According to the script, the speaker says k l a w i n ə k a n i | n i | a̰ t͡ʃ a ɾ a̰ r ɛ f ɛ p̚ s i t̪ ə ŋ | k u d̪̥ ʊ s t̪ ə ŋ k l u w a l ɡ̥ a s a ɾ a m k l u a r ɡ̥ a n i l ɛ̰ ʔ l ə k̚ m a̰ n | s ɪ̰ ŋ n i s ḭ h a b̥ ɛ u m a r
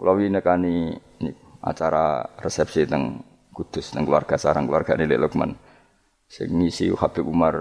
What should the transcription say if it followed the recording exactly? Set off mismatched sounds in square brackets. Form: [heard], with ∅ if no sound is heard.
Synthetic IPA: k l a w i n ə k a n i | n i | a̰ t͡ʃ a ɾ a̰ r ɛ [s] ɛ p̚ s i t̪ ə ŋ | k u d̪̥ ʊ s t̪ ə ŋ k l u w a [r] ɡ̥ a s a ɾ a [ŋ] k l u a r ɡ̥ a n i l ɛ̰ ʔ l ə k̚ m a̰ n | s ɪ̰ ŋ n i s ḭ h a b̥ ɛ u m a r